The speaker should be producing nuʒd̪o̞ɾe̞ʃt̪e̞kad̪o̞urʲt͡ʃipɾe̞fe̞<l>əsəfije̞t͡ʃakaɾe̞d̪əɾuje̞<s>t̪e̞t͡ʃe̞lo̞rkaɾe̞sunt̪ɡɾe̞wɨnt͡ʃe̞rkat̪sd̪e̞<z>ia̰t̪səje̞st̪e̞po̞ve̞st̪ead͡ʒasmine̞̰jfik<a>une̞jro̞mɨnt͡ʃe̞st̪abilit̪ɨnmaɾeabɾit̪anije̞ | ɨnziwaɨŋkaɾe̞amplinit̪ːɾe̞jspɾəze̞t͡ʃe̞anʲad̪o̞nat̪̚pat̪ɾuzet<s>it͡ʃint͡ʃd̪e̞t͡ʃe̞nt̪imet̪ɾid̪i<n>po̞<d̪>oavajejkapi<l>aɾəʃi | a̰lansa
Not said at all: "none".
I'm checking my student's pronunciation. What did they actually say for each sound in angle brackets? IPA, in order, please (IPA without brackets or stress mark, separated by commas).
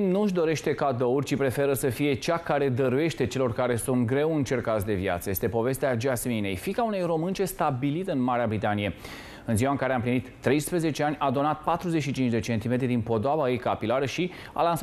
ɾ, ʃ, v, a, ʃ, n, d̪, l